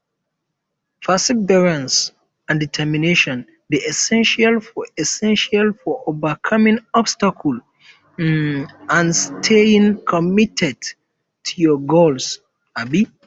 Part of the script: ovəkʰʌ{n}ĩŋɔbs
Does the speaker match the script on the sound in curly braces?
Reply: no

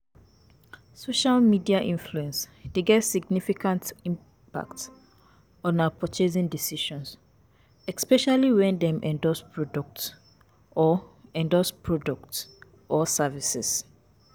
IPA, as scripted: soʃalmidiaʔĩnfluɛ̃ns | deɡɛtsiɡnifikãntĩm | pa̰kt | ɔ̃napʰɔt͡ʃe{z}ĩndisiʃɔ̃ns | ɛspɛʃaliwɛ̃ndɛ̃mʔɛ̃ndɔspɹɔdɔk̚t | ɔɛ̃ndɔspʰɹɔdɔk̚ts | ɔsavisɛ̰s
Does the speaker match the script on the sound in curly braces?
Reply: yes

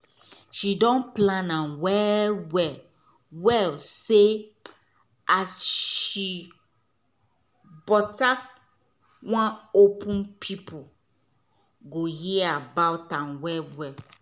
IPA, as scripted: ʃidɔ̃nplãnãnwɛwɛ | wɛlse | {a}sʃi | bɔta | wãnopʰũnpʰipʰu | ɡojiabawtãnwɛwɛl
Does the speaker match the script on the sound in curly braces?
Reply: yes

